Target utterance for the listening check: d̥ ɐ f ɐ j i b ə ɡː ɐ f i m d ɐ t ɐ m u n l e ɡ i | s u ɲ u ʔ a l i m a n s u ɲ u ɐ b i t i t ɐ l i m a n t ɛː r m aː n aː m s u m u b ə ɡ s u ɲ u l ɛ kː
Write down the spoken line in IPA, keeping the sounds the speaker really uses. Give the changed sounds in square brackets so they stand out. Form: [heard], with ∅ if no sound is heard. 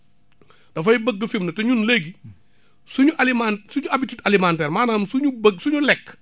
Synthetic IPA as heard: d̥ ɐ f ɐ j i b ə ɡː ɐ f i m [n] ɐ t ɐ [ɲ] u n l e ɡ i | s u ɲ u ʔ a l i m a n s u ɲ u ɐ b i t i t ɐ l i m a n t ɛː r m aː n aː m s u [ɲ] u b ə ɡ s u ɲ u l ɛ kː